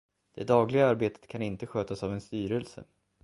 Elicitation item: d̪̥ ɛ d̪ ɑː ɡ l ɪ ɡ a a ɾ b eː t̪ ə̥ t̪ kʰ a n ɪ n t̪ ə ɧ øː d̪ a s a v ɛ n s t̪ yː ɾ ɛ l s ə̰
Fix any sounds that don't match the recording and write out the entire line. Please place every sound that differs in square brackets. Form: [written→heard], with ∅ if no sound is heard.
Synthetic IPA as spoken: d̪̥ ɛ d̪ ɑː ɡ l ɪ ɡ a a ɾ b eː t̪ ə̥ t̪ kʰ a n ɪ n t̪ ə ɧ øː [d̪→t̪] a s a v ɛ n s t̪ yː ɾ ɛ l s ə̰